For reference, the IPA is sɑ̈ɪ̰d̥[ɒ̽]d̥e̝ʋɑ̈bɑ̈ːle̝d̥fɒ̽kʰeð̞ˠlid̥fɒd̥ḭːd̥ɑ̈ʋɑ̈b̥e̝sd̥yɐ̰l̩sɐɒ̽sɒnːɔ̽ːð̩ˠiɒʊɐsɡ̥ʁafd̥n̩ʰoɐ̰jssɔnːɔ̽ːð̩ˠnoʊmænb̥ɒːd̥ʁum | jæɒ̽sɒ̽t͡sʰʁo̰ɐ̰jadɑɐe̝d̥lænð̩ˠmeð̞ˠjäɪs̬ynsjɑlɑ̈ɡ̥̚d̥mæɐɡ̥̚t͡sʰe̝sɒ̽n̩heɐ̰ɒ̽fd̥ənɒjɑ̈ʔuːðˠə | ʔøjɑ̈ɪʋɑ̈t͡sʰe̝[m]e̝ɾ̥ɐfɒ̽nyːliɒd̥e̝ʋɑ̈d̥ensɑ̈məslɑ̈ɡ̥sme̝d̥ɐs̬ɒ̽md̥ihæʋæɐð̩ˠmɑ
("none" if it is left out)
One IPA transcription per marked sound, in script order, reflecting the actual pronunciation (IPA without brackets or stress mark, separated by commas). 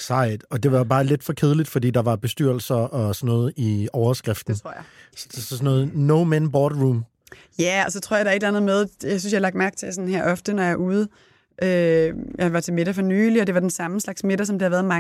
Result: ɒ̽, m